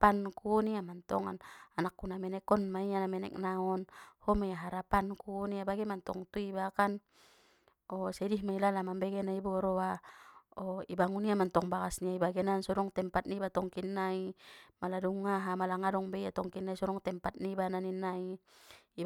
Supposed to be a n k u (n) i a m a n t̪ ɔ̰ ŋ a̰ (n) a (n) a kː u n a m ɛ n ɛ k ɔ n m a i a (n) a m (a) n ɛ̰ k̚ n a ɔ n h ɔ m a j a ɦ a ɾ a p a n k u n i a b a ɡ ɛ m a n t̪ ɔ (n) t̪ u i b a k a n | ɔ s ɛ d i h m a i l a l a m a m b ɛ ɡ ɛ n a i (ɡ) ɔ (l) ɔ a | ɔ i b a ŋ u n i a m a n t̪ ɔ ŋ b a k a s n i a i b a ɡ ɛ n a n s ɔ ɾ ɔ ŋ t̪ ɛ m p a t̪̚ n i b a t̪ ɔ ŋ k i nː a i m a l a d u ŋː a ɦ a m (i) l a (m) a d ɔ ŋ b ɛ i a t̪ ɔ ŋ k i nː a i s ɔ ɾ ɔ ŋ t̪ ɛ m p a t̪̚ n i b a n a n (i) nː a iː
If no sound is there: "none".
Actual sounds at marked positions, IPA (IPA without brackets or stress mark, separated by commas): n, n, n, n, ɛ, ŋ, b, ɾ, a, ŋ, i